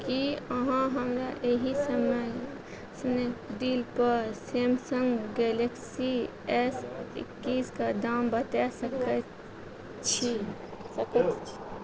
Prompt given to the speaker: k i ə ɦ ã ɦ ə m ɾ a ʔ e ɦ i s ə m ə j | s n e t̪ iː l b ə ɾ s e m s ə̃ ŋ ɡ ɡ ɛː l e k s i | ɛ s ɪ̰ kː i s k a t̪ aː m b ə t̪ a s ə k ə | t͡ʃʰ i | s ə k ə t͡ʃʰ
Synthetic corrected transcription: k i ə ɦ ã ɦ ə m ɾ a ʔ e ɦ i s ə m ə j | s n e d̪ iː l p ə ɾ s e m s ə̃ ŋ ɡ ɡ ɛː l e k s i | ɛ s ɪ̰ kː i s k a d̪ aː m b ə t̪ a s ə k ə | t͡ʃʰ i | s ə k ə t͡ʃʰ